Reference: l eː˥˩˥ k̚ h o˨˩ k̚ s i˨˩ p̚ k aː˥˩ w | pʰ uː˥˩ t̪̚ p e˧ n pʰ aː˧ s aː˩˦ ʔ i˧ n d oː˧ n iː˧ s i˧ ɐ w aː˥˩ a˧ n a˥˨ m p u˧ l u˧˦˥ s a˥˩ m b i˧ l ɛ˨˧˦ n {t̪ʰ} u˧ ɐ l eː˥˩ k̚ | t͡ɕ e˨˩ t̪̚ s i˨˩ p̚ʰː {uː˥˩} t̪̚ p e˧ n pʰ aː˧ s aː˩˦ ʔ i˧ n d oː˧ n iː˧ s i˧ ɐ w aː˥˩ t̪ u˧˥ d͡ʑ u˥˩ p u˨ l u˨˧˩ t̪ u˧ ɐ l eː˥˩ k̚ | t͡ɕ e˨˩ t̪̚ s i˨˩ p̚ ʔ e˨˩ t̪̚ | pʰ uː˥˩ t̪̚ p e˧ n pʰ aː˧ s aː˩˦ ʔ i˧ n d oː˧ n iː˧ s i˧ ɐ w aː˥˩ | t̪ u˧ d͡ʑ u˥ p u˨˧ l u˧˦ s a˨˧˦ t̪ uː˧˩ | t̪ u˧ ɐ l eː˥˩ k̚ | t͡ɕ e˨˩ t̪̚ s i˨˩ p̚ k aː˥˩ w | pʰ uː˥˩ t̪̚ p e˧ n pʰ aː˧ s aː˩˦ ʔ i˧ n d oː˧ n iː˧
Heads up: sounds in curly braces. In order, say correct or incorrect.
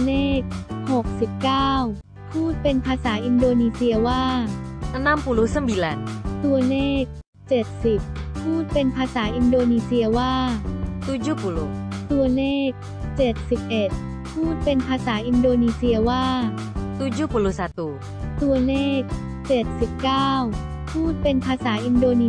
incorrect, correct

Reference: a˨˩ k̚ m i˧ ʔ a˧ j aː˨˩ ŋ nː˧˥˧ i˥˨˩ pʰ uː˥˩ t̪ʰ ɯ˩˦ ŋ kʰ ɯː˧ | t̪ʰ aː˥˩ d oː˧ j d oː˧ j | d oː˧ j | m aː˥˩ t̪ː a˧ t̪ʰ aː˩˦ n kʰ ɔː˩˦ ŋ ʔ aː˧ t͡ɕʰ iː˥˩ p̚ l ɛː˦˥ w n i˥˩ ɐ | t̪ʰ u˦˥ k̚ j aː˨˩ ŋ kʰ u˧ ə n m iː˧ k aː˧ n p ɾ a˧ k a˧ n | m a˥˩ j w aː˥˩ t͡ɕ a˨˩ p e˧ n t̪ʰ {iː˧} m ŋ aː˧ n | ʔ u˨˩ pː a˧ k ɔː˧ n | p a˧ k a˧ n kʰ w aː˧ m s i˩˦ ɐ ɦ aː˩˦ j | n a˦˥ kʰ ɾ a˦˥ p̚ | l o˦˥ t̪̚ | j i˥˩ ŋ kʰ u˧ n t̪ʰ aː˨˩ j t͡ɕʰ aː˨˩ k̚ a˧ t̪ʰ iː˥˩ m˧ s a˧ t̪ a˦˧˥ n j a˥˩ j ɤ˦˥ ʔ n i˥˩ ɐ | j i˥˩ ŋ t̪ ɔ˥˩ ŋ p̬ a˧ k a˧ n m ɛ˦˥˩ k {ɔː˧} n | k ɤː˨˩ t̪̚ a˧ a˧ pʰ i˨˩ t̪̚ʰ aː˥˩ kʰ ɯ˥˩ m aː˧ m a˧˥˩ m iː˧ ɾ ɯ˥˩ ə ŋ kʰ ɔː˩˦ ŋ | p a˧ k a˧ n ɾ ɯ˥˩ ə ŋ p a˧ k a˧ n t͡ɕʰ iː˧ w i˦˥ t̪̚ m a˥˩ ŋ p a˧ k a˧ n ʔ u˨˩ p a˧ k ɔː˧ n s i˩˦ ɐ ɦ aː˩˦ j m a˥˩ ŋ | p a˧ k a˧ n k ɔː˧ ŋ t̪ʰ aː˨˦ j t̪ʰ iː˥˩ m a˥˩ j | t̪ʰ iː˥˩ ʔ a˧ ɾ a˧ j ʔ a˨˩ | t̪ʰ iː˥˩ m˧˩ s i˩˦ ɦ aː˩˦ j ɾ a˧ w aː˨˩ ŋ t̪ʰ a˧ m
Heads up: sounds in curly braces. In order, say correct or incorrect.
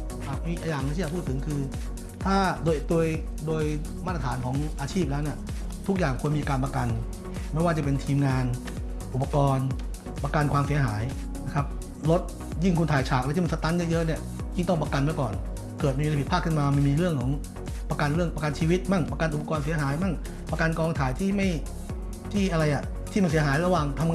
correct, incorrect

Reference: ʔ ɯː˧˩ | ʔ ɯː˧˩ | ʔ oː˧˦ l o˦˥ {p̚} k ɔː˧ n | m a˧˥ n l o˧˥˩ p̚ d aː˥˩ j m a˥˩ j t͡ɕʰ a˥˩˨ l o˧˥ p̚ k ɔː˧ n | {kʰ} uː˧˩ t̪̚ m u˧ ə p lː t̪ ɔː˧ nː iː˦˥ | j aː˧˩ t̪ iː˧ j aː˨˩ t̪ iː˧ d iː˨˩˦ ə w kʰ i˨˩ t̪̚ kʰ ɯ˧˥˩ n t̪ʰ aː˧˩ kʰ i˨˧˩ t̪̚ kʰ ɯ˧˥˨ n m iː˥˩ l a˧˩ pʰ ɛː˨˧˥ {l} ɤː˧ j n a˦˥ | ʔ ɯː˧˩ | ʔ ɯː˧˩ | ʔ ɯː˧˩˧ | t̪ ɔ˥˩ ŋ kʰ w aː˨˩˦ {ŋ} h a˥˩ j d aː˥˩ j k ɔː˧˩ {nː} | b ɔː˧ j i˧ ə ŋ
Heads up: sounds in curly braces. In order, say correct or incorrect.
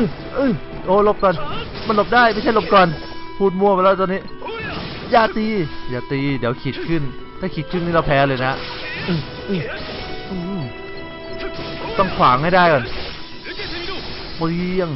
correct, incorrect, correct, correct, incorrect

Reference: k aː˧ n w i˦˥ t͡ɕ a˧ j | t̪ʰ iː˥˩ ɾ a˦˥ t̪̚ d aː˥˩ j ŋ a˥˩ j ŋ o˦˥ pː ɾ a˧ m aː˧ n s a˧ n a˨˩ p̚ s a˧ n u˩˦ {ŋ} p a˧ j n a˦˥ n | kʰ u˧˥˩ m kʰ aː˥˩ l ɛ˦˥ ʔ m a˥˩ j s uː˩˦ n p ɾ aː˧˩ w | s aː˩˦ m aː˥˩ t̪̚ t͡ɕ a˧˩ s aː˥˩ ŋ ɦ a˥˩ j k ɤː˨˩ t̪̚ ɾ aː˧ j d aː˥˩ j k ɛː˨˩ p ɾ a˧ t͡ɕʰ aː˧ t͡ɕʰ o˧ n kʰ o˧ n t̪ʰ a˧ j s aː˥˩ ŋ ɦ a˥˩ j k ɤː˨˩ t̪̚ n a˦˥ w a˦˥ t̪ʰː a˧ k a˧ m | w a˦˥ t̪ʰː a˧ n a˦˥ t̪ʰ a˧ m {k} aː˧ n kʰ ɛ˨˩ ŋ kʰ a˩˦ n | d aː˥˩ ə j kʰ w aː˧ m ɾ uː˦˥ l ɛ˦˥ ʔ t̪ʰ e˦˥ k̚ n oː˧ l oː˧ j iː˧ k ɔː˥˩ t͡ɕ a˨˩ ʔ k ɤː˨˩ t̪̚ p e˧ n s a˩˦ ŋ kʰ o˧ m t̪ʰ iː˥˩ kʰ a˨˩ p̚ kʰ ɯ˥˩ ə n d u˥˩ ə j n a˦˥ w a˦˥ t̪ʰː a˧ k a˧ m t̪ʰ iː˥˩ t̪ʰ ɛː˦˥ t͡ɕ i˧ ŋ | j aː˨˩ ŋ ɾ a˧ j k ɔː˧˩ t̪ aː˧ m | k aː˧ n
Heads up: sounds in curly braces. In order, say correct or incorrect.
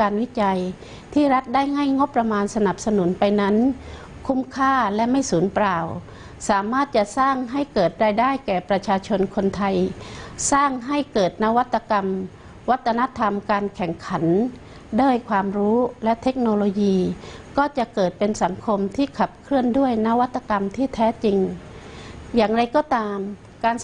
incorrect, correct

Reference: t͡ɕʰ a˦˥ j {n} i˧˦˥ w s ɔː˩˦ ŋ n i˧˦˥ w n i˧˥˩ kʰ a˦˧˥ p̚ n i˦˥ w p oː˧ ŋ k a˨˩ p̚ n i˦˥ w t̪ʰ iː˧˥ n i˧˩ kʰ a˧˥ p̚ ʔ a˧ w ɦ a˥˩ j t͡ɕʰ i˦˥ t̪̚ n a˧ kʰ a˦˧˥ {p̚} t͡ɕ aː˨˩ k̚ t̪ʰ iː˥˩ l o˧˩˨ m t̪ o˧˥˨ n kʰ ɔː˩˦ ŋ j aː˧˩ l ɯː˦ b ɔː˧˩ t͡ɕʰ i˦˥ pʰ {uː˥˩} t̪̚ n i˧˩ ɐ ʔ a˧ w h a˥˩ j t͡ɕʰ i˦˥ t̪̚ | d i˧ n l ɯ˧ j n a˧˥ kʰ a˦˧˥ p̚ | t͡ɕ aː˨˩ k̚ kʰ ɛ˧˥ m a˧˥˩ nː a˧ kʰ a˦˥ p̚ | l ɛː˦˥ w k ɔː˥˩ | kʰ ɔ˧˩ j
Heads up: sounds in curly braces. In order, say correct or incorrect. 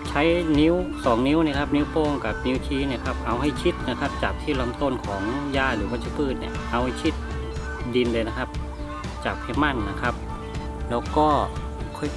correct, correct, incorrect

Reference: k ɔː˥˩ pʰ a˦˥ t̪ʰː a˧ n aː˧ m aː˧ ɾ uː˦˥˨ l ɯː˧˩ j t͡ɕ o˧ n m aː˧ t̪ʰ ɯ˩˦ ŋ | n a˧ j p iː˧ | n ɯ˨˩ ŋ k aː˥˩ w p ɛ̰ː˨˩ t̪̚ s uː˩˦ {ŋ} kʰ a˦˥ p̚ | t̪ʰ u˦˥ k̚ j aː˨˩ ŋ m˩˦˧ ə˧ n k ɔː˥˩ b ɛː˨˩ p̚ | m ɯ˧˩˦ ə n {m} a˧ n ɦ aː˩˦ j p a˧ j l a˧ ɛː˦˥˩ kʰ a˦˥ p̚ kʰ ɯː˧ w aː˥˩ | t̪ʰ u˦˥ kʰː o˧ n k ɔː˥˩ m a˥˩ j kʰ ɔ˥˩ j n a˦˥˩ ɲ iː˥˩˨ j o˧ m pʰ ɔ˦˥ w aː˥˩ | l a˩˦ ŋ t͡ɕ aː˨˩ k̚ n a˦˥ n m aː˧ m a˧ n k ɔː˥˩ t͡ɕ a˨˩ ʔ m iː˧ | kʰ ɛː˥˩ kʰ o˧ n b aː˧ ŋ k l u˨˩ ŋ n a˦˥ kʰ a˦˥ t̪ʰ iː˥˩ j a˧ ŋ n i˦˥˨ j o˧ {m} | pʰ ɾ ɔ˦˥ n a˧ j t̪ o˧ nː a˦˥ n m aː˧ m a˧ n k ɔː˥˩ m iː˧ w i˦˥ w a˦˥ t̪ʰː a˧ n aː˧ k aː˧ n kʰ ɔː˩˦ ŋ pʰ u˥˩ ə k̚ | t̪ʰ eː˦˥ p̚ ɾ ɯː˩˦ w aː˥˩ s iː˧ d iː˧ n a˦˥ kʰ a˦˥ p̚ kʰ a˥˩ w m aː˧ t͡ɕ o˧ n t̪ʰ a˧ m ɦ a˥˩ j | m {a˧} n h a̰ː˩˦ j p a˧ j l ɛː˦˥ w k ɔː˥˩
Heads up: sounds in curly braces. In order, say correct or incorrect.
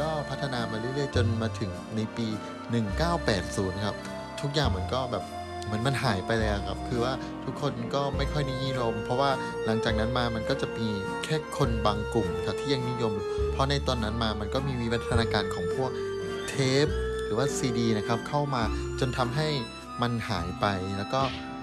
incorrect, correct, correct, correct

